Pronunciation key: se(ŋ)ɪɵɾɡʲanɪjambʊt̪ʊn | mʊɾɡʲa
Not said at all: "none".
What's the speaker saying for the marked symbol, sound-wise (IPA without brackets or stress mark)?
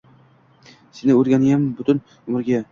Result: n